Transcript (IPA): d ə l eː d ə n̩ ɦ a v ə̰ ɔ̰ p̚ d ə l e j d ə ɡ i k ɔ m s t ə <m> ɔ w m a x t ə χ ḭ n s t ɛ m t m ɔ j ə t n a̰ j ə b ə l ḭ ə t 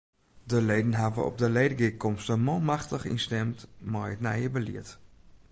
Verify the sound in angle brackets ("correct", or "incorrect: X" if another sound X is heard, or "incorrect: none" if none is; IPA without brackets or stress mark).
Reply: correct